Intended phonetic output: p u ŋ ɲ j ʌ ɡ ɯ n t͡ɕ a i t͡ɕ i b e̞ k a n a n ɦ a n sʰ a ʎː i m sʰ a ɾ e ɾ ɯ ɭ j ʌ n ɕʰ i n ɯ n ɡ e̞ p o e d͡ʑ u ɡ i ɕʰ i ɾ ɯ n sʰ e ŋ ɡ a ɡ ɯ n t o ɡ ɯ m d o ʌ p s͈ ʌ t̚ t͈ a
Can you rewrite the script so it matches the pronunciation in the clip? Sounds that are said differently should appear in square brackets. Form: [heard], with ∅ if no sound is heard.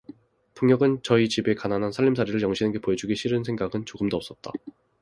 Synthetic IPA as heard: p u ŋ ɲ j ʌ ɡ ɯ n t͡ɕ [ʌ] i t͡ɕ i b e̞ k a n a n ɦ a n sʰ a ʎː i m sʰ a ɾ [i] ɾ ɯ ɭ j ʌ [ŋ] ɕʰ i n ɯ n ɡ e̞ p o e d͡ʑ u ɡ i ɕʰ i ɾ ɯ n sʰ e ŋ ɡ a ɡ ɯ n [t͡ɕ] o ɡ ɯ m d o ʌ p s͈ ʌ t̚ t͈ a